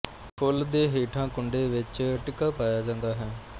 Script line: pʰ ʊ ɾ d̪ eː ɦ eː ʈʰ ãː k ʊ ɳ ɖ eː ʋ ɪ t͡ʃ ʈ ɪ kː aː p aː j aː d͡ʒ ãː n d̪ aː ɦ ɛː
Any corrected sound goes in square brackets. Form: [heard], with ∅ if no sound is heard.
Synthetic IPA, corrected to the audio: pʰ ʊ [l] d̪ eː ɦ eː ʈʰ ãː k ʊ ɳ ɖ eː ʋ ɪ t͡ʃ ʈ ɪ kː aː p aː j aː d͡ʒ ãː n d̪ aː ɦ ɛː